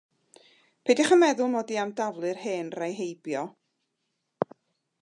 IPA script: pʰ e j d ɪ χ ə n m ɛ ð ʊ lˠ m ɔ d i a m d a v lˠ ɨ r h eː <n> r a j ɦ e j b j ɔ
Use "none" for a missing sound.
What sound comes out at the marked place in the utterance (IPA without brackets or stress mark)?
n